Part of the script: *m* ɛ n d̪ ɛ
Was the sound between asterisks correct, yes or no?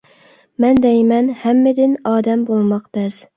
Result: yes